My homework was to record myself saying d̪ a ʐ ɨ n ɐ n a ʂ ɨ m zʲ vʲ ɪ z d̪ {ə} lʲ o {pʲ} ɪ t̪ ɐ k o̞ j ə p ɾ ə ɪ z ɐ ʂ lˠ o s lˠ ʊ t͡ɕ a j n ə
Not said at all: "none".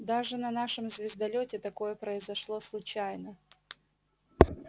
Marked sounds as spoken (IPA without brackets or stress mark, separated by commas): ɐ, tʲ